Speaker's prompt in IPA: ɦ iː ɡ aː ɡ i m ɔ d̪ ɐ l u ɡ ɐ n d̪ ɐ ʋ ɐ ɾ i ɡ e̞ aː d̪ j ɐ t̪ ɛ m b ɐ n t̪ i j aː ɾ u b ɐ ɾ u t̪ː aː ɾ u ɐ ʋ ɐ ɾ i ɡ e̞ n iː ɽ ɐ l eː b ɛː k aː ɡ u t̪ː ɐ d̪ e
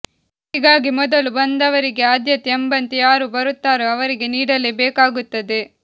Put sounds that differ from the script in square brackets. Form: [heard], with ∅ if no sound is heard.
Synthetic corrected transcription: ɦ iː ɡ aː ɡ i m ɔ d̪ ɐ l u [b] ɐ n d̪ ɐ ʋ ɐ ɾ i ɡ e̞ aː d̪ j ɐ t̪ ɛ m b ɐ n t̪ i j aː ɾ u b ɐ ɾ u t̪ː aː ɾ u ɐ ʋ ɐ ɾ i ɡ e̞ n iː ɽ ɐ l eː b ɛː k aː ɡ u t̪ː ɐ d̪ e

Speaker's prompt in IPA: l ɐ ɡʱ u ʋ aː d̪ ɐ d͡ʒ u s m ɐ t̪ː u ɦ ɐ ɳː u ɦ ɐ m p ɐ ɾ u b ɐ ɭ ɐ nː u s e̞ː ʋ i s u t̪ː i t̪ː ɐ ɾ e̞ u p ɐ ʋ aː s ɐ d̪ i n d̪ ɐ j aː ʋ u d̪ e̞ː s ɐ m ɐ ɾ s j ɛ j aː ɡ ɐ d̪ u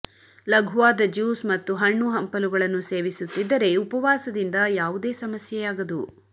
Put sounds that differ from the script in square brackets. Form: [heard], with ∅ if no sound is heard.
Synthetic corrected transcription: l ɐ ɡʱ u ʋ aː d̪ ɐ d͡ʒ [uː] s m ɐ t̪ː u ɦ ɐ ɳː u ɦ ɐ m p ɐ [l] u [ɡ] ɐ ɭ ɐ nː u s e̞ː ʋ i s u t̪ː i [d̪ː] ɐ ɾ e̞ u p ɐ ʋ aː s ɐ d̪ i n d̪ ɐ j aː ʋ u d̪ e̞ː s ɐ m ɐ [∅] s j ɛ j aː ɡ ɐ d̪ u

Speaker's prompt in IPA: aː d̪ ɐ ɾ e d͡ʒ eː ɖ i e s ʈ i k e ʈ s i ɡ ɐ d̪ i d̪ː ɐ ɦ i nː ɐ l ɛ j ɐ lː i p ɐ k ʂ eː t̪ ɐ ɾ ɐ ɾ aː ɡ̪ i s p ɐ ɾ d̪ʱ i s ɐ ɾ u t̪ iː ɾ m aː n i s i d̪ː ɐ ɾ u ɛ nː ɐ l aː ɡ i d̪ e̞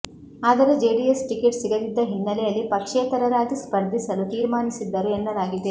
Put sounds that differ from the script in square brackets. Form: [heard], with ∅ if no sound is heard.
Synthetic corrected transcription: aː d̪ ɐ ɾ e d͡ʒ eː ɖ i e s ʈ i k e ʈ s i ɡ ɐ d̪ i d̪ː ɐ ɦ i nː ɐ l ɛ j ɐ lː i p ɐ k ʂ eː t̪ ɐ ɾ ɐ ɾ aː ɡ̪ i s p ɐ ɾ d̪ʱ i s ɐ [l] u t̪ iː ɾ m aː n i s i d̪ː ɐ ɾ u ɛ nː ɐ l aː ɡ i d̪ e̞

